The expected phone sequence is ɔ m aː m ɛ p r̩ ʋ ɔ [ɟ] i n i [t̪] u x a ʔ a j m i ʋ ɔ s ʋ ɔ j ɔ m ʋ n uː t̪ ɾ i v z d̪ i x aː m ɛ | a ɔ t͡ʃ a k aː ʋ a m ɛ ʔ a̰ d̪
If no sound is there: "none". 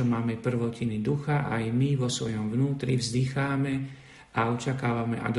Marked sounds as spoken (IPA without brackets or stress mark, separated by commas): c, d̪